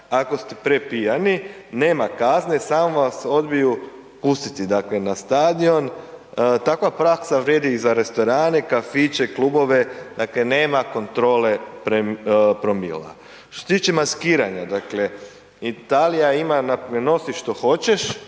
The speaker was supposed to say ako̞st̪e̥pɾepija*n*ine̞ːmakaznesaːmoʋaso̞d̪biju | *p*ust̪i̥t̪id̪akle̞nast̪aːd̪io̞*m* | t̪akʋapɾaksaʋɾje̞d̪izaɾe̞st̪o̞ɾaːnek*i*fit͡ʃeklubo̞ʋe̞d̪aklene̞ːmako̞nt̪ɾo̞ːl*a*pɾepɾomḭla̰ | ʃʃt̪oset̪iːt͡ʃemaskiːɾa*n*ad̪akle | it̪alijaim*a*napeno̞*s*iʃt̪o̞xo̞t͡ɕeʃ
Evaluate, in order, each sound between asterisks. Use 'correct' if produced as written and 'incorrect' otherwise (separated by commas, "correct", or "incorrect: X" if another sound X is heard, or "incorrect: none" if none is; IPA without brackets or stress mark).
correct, correct, incorrect: n, incorrect: a, incorrect: e, incorrect: ɲ, correct, correct